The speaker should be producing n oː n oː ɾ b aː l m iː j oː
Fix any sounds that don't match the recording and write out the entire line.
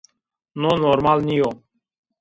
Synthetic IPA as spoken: n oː n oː ɾ m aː l n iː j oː